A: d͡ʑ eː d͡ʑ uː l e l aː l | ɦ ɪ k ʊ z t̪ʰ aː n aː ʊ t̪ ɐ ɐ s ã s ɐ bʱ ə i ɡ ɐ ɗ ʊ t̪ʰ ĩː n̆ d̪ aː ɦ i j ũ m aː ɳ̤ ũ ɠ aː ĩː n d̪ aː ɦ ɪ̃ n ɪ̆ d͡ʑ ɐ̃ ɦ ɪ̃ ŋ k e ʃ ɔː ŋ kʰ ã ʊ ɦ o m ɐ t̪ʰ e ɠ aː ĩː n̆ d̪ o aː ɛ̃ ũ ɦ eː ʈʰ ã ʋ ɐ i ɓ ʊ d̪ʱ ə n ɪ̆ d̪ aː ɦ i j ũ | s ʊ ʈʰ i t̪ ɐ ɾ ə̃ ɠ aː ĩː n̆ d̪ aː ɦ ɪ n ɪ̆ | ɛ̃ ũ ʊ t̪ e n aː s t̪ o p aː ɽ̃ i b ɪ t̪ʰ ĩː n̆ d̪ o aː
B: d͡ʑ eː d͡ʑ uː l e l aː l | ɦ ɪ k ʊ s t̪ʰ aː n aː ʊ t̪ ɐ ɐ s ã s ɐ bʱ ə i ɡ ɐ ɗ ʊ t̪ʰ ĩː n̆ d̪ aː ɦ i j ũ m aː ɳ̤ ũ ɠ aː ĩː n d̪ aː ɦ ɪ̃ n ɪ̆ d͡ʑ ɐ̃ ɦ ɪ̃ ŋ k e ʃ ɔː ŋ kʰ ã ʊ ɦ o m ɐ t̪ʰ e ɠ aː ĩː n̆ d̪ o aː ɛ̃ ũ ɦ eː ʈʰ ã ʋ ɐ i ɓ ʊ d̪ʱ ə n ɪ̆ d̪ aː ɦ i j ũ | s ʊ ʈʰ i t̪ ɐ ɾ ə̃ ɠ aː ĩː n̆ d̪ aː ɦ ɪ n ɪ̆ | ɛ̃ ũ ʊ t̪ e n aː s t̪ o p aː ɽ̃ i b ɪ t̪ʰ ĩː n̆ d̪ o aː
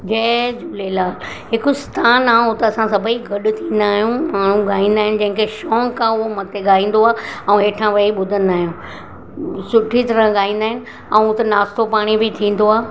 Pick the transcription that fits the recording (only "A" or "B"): B